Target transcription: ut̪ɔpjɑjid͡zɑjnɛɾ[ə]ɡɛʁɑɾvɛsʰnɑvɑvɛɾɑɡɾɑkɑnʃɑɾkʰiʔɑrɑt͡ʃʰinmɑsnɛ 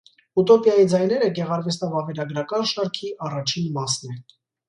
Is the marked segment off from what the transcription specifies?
no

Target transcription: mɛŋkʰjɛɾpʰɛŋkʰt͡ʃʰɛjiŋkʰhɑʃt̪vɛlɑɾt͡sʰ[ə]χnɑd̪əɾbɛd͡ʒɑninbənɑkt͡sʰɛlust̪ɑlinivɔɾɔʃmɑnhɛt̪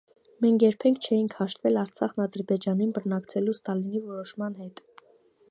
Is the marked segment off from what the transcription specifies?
yes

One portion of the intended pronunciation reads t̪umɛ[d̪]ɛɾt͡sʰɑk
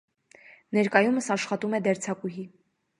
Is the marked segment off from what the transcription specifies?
no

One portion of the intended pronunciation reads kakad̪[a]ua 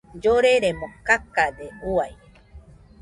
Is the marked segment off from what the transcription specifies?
yes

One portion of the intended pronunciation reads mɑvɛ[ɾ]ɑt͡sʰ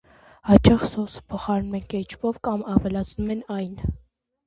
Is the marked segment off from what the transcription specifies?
yes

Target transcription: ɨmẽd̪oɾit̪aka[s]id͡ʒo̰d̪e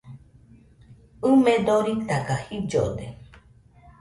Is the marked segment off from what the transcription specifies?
yes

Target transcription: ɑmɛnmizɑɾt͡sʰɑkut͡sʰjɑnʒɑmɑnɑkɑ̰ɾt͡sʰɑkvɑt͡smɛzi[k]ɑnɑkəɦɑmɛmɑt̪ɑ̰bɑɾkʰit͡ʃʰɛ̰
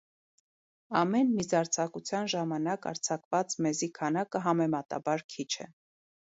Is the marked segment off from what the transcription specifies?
yes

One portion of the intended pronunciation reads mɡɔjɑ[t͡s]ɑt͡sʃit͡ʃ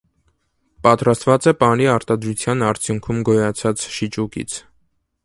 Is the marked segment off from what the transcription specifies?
yes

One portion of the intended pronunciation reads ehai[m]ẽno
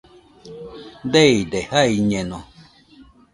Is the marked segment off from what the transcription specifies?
yes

